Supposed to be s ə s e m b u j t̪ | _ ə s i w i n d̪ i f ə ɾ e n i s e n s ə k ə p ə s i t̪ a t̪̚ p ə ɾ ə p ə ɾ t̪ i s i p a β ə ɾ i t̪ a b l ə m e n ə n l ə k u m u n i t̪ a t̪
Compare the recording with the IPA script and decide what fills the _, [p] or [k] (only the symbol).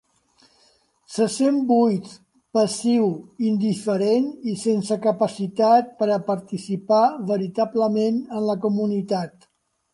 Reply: p